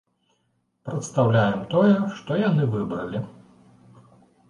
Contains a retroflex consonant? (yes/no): yes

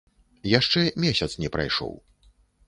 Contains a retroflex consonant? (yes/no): yes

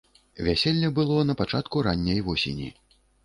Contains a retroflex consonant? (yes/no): yes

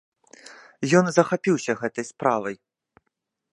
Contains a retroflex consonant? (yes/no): no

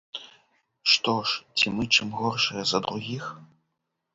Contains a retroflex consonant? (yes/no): yes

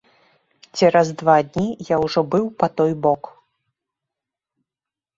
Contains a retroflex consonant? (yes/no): yes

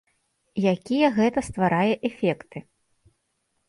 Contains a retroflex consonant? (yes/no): no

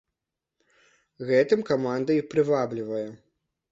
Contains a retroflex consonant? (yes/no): no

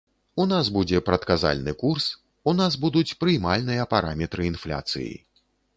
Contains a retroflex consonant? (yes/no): no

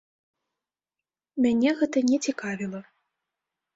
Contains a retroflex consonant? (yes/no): no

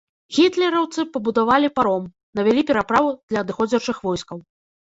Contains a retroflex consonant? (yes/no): yes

